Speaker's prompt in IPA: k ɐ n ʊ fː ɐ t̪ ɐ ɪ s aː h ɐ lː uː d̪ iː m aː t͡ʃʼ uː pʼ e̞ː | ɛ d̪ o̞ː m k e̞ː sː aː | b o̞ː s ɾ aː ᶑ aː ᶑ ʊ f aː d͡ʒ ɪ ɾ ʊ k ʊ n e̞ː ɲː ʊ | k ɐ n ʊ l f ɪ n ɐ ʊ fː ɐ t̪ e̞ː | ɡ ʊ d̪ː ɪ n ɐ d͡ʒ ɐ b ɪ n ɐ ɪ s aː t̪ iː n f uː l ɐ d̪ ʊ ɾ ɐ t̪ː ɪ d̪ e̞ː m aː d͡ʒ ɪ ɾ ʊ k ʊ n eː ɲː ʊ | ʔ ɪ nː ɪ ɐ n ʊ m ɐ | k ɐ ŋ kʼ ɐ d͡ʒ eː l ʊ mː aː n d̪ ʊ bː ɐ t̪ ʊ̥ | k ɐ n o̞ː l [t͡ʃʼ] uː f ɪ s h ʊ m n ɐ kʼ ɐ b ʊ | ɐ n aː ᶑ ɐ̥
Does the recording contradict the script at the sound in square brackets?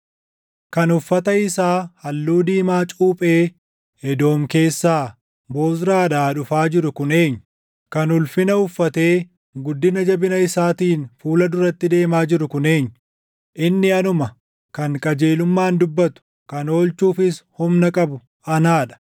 yes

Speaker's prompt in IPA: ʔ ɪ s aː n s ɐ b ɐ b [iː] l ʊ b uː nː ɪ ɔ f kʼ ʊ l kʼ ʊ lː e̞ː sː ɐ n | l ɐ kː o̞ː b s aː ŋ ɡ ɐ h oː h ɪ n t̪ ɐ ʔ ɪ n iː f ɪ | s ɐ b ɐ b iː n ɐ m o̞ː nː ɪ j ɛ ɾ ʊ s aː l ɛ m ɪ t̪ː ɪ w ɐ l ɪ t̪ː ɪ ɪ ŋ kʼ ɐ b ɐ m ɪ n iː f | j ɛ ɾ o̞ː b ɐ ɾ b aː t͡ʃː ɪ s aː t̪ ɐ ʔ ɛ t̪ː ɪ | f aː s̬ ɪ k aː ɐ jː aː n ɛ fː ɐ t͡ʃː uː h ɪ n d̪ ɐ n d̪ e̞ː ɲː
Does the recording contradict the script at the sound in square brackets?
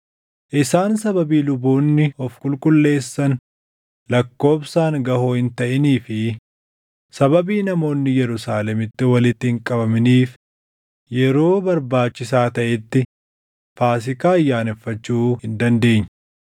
no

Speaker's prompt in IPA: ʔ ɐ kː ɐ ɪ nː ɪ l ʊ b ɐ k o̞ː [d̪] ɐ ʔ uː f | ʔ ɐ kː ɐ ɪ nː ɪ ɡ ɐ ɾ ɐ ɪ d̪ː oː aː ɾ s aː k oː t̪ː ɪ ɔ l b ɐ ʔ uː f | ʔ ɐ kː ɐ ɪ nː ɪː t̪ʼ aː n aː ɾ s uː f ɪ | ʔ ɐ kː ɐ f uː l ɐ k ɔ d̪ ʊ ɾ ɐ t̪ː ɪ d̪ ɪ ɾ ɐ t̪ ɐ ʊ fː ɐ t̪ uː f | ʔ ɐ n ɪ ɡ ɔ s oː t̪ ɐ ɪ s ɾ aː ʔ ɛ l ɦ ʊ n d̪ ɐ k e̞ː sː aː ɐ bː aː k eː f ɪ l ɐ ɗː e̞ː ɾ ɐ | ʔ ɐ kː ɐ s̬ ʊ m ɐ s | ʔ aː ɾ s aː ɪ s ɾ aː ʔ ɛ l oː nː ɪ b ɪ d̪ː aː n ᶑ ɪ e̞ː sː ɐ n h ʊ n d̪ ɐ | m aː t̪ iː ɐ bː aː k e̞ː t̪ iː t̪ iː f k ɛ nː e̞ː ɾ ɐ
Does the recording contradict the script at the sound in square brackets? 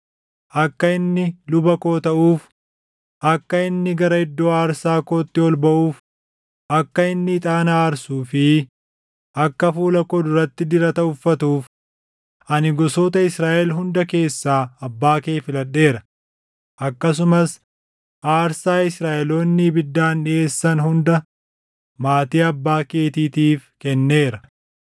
yes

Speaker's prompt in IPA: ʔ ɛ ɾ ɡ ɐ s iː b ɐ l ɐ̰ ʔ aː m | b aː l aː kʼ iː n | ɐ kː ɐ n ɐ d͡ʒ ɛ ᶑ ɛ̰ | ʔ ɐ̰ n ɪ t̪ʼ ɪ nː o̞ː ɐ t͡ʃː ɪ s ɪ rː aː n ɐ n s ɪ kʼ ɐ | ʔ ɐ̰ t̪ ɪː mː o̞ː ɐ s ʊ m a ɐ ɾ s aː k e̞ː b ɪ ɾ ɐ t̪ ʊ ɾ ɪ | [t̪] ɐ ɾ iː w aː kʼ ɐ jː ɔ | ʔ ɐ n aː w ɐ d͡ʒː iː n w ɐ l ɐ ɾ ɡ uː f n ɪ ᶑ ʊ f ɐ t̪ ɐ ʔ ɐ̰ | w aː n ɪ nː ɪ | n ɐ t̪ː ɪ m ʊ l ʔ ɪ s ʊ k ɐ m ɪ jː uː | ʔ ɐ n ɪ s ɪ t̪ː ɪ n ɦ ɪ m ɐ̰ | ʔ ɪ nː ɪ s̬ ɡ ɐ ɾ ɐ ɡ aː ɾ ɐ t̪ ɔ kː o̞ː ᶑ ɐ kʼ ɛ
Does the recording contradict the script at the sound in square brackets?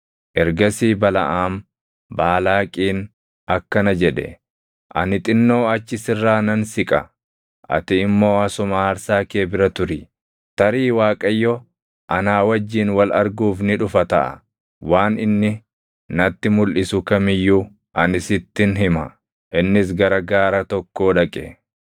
no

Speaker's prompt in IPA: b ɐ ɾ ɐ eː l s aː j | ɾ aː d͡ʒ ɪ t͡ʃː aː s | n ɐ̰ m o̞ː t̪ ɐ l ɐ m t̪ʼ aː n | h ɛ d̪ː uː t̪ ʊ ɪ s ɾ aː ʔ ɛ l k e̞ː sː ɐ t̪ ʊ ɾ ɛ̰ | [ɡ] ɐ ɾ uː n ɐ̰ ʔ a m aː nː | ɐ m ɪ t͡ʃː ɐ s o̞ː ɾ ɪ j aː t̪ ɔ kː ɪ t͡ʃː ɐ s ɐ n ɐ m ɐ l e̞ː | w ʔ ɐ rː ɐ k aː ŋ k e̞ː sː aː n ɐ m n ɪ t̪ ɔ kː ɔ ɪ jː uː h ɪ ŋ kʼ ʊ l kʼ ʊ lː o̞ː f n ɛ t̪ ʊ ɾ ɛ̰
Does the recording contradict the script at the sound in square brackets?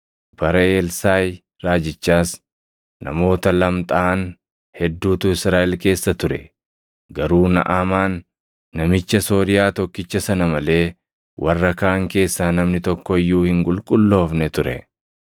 no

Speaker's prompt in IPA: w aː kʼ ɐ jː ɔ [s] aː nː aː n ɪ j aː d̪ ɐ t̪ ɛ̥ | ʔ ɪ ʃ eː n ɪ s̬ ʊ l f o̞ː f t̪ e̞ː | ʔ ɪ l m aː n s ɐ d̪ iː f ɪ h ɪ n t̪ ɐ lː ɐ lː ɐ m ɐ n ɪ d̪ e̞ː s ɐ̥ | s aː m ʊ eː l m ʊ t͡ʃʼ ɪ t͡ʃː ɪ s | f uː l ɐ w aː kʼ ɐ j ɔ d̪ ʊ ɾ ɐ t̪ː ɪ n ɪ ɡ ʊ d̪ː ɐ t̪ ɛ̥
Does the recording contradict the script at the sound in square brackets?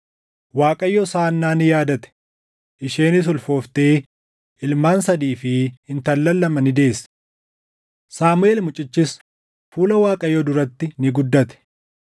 no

